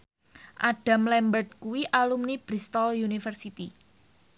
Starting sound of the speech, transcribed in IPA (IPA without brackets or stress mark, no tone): ʔ